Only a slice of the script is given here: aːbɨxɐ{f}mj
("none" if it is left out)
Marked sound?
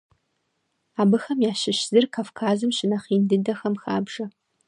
none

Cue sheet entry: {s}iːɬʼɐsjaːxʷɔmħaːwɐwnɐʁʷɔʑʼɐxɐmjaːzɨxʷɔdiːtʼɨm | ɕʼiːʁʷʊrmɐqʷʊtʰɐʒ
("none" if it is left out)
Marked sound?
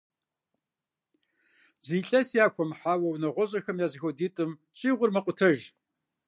z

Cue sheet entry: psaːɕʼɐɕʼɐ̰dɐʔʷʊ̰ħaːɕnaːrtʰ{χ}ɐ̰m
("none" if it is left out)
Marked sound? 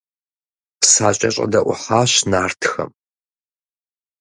x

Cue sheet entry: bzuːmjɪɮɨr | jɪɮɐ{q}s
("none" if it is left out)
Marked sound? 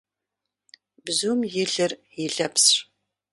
p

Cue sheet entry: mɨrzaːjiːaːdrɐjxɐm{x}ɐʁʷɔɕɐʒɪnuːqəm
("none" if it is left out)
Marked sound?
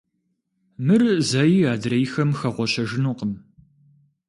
x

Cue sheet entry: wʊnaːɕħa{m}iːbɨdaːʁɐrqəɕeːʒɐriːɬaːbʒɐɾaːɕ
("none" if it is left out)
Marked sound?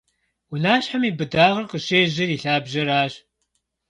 m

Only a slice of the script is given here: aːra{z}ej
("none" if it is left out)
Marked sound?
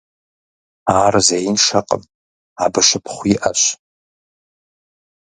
z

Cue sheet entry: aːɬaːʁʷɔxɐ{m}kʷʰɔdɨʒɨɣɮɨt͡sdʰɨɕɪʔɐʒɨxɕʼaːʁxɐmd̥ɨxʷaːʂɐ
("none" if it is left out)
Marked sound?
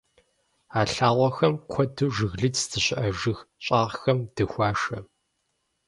m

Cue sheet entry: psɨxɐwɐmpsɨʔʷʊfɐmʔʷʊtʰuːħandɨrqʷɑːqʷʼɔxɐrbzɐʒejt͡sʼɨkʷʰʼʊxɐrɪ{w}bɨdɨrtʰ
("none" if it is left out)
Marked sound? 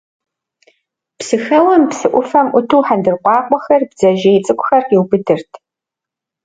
w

